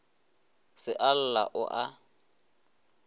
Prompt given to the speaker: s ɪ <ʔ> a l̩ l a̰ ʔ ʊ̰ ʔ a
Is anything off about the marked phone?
no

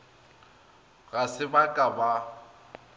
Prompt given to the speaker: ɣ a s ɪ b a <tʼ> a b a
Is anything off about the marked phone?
yes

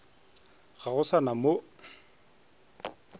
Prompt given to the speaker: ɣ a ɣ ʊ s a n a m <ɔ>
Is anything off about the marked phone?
yes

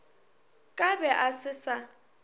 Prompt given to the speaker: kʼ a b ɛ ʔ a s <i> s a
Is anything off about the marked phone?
yes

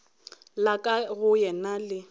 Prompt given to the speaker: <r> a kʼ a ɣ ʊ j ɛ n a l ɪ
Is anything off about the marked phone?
yes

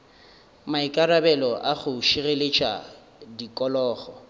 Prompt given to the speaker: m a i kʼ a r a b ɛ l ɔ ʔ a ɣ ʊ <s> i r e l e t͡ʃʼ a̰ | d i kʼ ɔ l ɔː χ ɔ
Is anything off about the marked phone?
yes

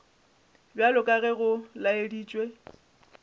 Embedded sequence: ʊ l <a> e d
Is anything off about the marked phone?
no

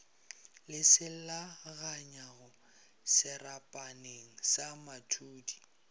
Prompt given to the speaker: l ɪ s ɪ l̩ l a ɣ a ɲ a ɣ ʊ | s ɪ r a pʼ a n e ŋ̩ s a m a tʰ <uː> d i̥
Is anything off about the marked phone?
no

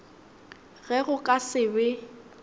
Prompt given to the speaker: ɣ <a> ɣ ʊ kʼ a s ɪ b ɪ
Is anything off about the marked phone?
yes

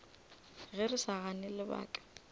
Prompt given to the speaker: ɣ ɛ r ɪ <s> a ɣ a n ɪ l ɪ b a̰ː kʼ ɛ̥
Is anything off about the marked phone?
no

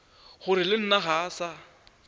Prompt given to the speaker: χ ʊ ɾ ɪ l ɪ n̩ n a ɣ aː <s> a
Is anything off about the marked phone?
no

